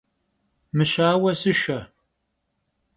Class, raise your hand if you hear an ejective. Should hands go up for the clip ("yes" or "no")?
no